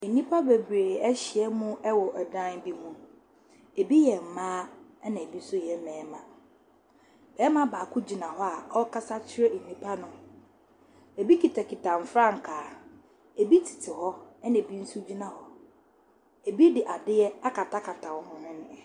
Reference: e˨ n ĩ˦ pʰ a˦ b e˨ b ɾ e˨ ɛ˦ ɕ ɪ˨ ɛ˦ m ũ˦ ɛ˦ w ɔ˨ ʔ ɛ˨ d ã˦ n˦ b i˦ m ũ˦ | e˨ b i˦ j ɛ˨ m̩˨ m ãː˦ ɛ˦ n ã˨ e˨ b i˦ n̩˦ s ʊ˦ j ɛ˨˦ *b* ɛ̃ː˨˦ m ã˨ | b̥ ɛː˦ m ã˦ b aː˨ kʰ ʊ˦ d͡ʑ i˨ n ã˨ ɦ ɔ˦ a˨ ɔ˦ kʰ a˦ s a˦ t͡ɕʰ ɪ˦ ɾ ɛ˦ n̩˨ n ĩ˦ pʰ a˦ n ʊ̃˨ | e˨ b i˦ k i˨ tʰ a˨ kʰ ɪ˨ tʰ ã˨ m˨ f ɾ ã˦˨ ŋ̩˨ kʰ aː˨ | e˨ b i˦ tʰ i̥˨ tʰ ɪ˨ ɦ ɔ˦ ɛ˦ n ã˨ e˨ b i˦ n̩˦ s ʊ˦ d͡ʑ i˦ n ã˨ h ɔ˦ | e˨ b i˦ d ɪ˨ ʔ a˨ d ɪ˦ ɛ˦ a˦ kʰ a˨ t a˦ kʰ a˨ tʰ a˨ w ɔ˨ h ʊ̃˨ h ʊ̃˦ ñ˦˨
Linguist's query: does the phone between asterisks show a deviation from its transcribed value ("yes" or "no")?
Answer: yes